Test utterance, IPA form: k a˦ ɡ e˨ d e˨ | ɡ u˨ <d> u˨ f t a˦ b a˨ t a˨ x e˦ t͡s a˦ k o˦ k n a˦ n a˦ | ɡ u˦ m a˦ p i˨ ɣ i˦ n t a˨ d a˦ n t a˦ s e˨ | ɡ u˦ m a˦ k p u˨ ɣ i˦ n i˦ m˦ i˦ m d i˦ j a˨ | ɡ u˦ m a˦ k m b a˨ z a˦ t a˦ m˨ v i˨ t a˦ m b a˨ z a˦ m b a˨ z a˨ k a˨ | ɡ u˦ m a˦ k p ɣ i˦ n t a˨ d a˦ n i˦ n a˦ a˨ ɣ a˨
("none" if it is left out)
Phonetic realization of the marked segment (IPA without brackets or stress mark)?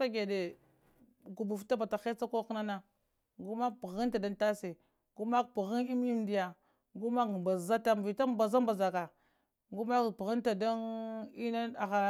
b